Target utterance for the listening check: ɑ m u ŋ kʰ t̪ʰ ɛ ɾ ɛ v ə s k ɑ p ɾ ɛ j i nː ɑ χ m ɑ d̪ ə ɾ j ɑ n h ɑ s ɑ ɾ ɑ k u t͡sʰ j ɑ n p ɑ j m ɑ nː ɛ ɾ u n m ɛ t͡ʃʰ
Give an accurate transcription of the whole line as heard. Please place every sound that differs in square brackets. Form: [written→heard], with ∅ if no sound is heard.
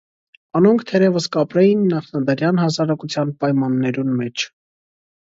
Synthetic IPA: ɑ [m→n] u ŋ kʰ t̪ʰ ɛ ɾ ɛ v ə s k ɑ p ɾ ɛ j i nː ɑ χ [m→n] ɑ d̪ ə ɾ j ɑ n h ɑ s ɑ ɾ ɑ k u t͡sʰ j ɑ n p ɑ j m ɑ nː ɛ ɾ u n m ɛ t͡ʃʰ